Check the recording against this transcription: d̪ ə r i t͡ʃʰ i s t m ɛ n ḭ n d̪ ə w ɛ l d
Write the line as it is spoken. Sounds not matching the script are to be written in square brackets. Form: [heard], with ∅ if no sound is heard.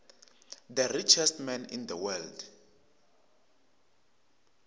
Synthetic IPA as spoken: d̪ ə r i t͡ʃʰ [ɛ] s t m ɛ n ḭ n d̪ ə w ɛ l d

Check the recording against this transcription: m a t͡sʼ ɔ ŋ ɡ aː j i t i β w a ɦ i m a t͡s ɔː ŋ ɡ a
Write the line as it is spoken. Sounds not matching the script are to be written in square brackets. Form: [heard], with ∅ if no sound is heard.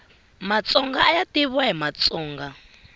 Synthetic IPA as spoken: m a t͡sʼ ɔ ŋ ɡ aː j [a] t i β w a ɦ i m a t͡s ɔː ŋ ɡ a

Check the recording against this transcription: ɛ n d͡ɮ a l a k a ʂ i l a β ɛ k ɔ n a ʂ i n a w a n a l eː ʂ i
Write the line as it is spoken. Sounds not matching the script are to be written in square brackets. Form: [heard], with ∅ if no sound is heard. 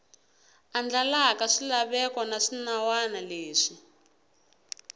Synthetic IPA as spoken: [a] n d͡ɮ a l a k a ʂ i l a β ɛ k ɔ n a ʂ i n a w a n a l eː ʂ i

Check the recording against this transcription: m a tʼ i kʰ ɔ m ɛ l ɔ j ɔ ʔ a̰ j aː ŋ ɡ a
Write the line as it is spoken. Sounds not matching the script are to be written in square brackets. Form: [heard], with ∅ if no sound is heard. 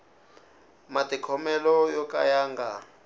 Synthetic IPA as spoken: m a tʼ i kʰ ɔ m ɛ l ɔ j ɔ [k] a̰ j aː ŋ ɡ a

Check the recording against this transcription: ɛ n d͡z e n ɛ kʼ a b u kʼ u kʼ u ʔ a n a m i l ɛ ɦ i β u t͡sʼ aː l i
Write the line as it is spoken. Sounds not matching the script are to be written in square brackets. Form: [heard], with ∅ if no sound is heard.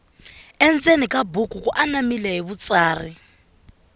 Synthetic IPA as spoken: ɛ n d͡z e n [i] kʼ a b u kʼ u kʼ u ʔ a n a m i l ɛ ɦ i β u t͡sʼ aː [r] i

